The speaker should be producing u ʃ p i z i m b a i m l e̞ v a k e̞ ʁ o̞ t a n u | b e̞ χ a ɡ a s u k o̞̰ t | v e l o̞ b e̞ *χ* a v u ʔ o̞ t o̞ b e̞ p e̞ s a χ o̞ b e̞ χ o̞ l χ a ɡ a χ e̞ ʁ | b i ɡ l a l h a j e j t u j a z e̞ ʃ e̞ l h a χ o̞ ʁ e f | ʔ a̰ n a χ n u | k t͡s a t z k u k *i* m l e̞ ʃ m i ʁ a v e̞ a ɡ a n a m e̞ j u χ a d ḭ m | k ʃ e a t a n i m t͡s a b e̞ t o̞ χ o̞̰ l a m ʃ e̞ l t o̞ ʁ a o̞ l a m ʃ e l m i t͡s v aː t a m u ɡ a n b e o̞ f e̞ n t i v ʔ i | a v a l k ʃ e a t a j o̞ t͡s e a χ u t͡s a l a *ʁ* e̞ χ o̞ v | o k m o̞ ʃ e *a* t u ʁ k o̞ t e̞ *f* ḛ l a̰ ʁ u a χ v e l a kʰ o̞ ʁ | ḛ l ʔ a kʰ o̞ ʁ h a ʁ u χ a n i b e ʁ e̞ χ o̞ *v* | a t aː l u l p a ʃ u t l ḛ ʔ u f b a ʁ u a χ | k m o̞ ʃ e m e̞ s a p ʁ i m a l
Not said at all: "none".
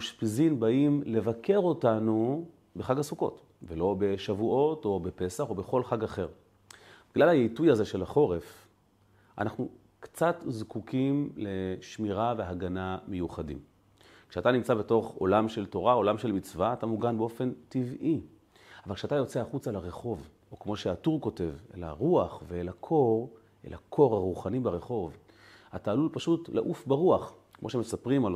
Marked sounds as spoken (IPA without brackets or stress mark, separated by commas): ʃ, i, ʁ, a, v, v